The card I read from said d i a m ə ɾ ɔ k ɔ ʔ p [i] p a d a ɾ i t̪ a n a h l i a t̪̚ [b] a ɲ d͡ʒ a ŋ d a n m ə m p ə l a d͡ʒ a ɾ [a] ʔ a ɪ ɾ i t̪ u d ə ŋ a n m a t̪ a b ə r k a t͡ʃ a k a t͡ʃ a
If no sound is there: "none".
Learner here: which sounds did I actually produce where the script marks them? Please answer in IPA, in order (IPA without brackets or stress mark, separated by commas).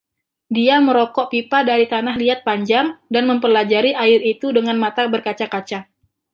i, p, i